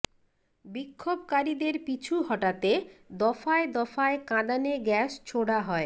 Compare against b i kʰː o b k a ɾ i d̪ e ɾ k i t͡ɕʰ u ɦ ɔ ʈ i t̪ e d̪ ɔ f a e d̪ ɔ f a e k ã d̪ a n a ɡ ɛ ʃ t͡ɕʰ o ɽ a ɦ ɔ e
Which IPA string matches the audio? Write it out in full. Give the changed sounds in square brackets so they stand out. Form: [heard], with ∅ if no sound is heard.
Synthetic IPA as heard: b i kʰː o b k a ɾ i d̪ e ɾ [p] i t͡ɕʰ u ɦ ɔ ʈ [a] t̪ e d̪ ɔ f a e d̪ ɔ f a e k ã d̪ a n [e] ɡ ɛ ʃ t͡ɕʰ o ɽ a ɦ ɔ e